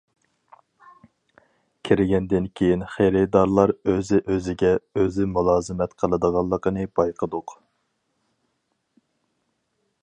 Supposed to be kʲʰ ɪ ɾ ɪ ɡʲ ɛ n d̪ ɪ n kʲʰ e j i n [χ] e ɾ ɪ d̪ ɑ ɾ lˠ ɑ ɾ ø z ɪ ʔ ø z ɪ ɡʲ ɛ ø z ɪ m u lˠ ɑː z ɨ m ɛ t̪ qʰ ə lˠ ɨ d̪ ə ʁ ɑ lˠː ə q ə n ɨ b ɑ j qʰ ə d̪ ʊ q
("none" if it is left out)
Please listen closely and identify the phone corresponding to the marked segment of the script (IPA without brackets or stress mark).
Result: χ